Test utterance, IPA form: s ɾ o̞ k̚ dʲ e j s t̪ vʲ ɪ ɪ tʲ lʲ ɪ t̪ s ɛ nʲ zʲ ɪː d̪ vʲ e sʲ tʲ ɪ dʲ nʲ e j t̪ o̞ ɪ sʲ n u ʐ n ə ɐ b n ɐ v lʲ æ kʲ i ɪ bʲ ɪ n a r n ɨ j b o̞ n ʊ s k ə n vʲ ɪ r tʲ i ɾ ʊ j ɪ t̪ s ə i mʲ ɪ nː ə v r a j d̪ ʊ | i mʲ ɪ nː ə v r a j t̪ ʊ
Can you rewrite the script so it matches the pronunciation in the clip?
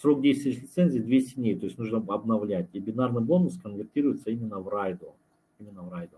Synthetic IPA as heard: s ɾ o̞ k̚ dʲ e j s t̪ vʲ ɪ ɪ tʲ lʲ ɪ t̪ s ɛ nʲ zʲ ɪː d̪ vʲ e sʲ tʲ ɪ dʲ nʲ e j t̪ o̞ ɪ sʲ n u ʐ n ə ɐ b n ɐ v lʲ æ tʲ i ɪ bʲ ɪ n a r n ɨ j b o̞ n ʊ s k ə n vʲ ɪ r tʲ i ɾ ʊ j ɪ t̪ s ə i mʲ ɪ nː ə v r a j d̪ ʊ | i mʲ ɪ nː ə v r a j d̪ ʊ